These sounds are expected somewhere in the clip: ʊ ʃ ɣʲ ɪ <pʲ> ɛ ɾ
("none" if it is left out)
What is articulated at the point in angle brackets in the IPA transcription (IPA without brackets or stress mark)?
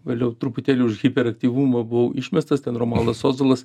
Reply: pʲ